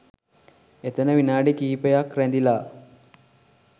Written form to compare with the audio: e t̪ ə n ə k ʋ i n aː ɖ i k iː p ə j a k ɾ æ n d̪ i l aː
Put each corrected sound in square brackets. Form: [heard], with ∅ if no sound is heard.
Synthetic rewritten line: e t̪ ə n ə [∅] ʋ i n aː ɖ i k iː p ə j a k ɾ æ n d̪ i l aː

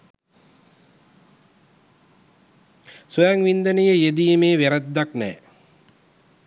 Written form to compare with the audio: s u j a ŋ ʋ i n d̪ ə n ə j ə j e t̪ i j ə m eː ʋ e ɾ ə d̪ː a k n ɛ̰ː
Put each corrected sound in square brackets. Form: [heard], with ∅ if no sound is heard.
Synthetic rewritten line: s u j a ŋ ʋ i n d̪ ə n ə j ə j e [d̪] i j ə m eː ʋ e ɾ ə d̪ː a k n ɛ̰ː

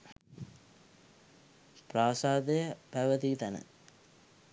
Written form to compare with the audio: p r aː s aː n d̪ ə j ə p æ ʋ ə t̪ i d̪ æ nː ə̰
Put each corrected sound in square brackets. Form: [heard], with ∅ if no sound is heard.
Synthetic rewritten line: p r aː s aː [∅] d̪ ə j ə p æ ʋ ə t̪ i [t̪] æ [n] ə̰

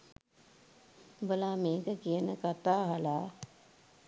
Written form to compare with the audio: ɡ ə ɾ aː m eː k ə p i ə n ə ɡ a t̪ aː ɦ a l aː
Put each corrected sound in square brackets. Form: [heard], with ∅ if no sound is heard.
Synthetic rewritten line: [b] ə [l] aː m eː k ə [k] i ə n ə [k] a t̪ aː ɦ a l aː

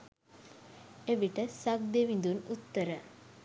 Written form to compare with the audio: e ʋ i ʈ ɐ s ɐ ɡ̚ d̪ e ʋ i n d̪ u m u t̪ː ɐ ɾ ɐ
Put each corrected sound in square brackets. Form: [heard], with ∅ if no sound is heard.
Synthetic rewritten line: e ʋ i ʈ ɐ s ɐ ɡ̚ d̪ e ʋ i n d̪ u [n] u t̪ː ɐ ɾ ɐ

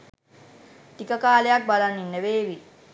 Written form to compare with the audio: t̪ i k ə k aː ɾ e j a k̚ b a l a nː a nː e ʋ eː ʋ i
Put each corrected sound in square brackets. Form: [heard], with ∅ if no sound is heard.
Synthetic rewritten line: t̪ i k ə k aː [l] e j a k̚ b a l a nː [i] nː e ʋ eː ʋ i

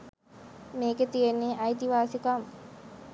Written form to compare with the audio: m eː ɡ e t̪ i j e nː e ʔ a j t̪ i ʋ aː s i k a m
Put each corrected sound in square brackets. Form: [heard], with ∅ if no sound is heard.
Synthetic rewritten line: m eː [k] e t̪ i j e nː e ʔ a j t̪ i ʋ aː s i k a m

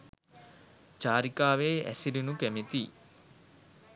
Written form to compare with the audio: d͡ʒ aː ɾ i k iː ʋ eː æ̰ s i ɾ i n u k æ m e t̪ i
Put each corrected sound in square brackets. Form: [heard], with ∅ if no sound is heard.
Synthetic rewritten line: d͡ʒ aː ɾ i k [aː] ʋ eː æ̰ s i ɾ i n u k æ m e t̪ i

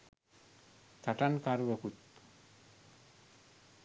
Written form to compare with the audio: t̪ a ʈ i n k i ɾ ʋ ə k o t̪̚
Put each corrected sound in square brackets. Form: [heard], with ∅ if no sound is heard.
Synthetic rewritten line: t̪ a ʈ [a] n k [a] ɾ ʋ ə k [u] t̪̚

